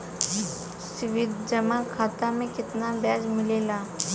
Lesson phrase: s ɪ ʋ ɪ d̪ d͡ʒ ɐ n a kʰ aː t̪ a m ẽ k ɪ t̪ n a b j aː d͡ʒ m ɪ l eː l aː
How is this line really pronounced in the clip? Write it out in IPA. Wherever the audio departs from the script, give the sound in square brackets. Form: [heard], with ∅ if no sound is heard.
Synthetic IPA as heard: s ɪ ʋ ɪ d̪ d͡ʒ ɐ [m] a kʰ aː t̪ a m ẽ k ɪ t̪ n a b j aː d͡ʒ m ɪ l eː l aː